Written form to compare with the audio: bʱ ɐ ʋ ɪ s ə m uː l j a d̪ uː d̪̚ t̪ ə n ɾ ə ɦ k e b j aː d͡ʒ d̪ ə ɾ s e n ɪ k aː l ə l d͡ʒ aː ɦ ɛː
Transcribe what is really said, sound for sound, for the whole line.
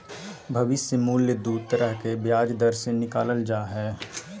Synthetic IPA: bʱ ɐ ʋ ɪ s ə m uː l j ə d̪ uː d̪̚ t̪ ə ɾ ə ɦ k e b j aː d͡ʒ d̪ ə ɾ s e n ɪ k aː l ə l d͡ʒ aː ɦ ɛː